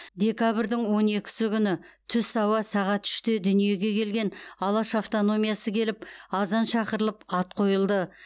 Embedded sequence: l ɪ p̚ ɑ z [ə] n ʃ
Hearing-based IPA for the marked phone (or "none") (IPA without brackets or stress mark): ɑ